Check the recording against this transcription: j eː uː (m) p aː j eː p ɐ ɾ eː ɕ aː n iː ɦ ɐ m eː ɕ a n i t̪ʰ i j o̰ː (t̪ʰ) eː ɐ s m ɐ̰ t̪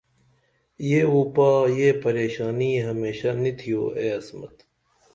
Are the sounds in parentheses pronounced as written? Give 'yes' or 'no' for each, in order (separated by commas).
no, no